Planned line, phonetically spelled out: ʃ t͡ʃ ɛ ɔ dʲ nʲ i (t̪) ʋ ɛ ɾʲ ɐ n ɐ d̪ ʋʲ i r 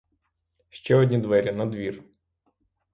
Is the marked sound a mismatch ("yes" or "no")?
yes